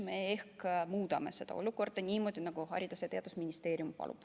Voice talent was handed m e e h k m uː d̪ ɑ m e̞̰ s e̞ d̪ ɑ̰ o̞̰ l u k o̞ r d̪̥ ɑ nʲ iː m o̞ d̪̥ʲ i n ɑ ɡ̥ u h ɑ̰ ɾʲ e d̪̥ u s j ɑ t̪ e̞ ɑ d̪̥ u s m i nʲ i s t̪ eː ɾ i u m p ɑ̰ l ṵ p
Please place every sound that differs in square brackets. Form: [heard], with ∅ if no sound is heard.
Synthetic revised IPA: m e e h k m uː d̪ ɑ m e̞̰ s e̞ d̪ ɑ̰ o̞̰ l u k o̞ r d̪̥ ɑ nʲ iː m o̞ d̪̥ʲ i n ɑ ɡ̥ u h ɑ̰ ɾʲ [i] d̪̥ u s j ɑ t̪ e̞ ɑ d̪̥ u s m i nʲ i s t̪ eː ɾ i u m p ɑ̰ l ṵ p